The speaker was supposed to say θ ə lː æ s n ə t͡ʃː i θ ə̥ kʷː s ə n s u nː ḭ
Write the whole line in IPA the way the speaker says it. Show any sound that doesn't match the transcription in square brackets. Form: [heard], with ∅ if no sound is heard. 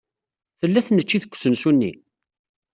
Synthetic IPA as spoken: θ ə lː æ [θ] n ə t͡ʃː i θ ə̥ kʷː s ə n s u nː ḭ